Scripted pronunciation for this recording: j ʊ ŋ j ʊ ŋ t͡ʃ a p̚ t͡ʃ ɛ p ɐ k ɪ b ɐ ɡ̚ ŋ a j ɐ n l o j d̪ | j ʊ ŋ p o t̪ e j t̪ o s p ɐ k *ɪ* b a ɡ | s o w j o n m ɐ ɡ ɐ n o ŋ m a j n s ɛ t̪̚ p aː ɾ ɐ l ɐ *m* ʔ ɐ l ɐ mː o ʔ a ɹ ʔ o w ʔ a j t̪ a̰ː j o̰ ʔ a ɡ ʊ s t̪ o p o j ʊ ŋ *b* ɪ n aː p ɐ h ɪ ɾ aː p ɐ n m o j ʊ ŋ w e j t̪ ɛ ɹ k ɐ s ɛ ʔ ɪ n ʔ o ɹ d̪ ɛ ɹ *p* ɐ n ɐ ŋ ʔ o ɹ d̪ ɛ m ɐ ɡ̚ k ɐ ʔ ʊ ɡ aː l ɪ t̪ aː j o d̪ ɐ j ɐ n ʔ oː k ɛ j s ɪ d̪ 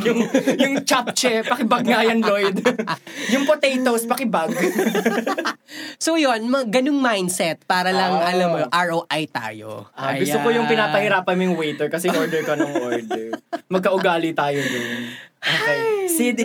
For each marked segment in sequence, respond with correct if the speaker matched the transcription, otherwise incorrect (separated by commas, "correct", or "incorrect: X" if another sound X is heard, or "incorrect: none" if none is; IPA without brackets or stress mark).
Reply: correct, incorrect: ŋ, incorrect: p, incorrect: k